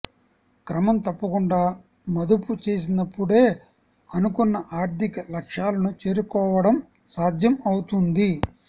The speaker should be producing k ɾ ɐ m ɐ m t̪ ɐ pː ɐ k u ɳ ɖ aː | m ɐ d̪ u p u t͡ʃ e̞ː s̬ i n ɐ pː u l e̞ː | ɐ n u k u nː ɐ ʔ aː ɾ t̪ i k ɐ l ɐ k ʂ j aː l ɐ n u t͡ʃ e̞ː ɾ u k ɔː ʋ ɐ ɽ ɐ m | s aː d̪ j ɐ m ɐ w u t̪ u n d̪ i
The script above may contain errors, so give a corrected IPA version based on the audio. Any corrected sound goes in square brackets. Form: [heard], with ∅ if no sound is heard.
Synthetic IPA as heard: k ɾ ɐ m ɐ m t̪ ɐ pː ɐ k u ɳ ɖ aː | m ɐ d̪ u p u t͡ʃ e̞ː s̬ i n ɐ pː u [ɽ] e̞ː | ɐ n u k u nː ɐ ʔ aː ɾ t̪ i k ɐ l ɐ k ʂ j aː l ɐ n u t͡ʃ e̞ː ɾ u k ɔː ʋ ɐ ɽ ɐ m | s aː d̪ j ɐ m ɐ w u t̪ u n d̪ i